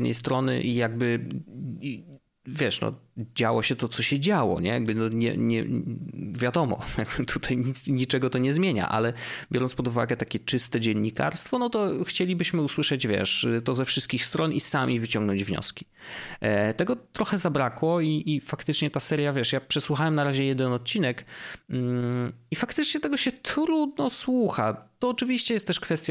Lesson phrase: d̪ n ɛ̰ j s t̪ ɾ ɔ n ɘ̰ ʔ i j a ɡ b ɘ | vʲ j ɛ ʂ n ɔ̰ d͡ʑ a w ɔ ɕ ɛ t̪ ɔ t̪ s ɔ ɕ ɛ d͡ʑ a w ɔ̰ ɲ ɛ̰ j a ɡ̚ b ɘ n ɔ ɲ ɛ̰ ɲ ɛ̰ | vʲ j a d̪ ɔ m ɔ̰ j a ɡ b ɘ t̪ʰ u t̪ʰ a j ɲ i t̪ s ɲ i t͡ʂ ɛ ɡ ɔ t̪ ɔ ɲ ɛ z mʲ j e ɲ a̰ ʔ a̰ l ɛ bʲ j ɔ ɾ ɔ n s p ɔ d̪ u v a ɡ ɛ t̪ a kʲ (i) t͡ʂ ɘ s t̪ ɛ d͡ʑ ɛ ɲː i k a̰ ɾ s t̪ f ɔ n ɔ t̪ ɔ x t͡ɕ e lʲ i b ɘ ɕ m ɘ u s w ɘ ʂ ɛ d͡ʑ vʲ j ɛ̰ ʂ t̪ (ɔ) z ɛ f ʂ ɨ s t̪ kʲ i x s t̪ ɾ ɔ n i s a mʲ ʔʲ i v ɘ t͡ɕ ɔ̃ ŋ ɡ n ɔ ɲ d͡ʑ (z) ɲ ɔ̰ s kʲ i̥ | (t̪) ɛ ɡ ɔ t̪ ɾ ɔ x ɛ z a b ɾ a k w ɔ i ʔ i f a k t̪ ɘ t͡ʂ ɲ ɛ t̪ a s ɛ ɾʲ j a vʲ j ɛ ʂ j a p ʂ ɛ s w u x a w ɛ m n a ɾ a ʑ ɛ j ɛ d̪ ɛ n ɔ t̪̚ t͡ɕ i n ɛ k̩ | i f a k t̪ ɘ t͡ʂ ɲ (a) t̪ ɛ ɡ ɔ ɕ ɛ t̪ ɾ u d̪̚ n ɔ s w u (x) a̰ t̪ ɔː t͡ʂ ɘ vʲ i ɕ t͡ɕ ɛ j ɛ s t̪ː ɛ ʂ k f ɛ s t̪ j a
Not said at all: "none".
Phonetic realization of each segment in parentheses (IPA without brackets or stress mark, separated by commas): ɛ, ɔ, v, t̪, ɛ, x